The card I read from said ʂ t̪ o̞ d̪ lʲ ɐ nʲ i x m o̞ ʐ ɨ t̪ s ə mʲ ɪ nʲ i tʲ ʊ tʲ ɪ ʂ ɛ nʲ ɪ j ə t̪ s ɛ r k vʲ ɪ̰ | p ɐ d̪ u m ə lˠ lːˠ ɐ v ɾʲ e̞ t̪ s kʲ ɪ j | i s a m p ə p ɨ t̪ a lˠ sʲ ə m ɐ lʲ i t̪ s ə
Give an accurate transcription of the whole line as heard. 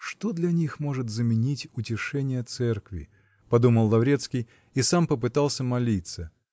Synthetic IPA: ʂ t̪ o̞ d̪ lʲ ɐ nʲ i x m o̞ ʐ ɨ t̪ z ə mʲ ɪ nʲ i tʲ ʊ tʲ ɪ ʂ ɛ nʲ ɪ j ə t̪ s ɛ r k vʲ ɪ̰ | p ɐ d̪ u m ə lˠ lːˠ ɐ v ɾʲ e̞ t̪ s kʲ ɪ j | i s a m p ə p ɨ t̪ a lˠ sʲ ə m ɐ lʲ i t̪ s ə